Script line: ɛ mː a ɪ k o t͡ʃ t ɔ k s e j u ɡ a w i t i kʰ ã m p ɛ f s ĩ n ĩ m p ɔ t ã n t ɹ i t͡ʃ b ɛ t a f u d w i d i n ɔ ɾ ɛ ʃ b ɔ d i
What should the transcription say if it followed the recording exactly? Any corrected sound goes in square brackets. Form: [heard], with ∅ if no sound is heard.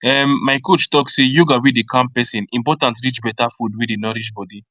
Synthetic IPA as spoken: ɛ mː a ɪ k o t͡ʃ t ɔ k s e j u ɡ a w i [d] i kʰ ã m p ɛ [∅] s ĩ n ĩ m p ɔ t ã n t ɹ i t͡ʃ b ɛ t a f u d w i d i n ɔ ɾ [i] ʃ b ɔ d i